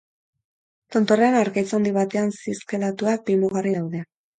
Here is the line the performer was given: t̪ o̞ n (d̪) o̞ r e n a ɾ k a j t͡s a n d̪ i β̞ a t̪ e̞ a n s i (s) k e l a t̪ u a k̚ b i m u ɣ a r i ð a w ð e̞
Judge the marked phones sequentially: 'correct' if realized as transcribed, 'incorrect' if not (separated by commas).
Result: incorrect, correct